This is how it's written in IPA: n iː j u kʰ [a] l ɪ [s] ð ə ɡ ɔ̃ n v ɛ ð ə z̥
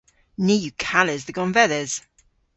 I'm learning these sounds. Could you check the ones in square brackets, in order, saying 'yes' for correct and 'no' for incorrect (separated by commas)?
yes, no